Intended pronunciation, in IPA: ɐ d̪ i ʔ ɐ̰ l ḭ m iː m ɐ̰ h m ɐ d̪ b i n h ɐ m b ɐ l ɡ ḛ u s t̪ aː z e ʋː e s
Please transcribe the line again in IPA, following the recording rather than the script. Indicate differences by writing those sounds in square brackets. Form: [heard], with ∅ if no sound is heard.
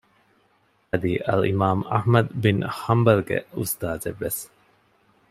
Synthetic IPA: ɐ d̪ i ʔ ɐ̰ l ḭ m [aː] m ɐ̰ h m ɐ d̪ b i n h ɐ m b ɐ l ɡ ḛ u s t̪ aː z e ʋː e s

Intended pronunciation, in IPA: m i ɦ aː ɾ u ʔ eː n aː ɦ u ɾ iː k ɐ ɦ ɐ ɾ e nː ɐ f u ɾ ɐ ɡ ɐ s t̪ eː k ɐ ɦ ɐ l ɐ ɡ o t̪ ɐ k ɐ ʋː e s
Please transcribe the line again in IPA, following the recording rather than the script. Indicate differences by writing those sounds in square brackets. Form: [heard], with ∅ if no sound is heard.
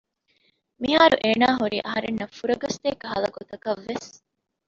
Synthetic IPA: m i ɦ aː ɾ u ʔ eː n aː ɦ u ɾ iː [ʔ] ɐ ɦ ɐ ɾ e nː ɐ f u ɾ ɐ ɡ ɐ s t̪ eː k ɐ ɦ ɐ l ɐ ɡ o t̪ ɐ k ɐ ʋː e s

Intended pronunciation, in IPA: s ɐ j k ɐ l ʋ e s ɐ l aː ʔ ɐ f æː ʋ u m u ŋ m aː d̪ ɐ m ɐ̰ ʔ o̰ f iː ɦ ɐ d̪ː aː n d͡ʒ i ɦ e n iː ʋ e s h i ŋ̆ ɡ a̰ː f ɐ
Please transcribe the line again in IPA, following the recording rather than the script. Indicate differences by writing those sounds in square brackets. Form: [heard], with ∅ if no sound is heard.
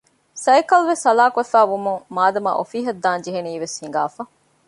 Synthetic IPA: s ɐ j k ɐ l ʋ e s ɐ l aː [k] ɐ f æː ʋ u m u ŋ m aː d̪ ɐ m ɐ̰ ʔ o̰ f iː ɦ ɐ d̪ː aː n d͡ʒ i ɦ e n iː ʋ e s h i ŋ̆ ɡ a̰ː f ɐ

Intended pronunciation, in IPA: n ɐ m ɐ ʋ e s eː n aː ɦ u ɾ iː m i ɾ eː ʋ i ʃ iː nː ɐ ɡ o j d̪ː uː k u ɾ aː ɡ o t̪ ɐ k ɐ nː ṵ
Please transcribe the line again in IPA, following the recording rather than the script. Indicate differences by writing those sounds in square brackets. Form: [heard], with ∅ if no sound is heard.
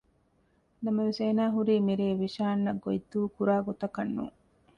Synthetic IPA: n ɐ m ɐ ʋ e s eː n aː ɦ u ɾ iː m i ɾ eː ʋ i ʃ [aː] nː ɐ ɡ o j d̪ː uː k u ɾ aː ɡ o t̪ ɐ k ɐ nː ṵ

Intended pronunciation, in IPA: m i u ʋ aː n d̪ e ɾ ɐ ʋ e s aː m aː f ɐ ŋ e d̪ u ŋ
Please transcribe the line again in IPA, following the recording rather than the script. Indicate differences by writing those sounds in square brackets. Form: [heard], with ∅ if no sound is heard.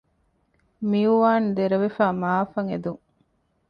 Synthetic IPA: m i u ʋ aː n d̪ e ɾ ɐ ʋ e [f] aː m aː f ɐ ŋ e d̪ u ŋ

